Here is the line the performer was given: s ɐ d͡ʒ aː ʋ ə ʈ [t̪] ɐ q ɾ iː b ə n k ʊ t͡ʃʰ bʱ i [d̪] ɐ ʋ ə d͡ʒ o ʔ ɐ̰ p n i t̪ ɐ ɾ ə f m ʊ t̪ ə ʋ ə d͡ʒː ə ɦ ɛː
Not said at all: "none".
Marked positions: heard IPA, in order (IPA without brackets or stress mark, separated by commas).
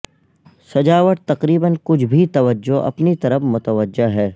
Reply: t̪, t̪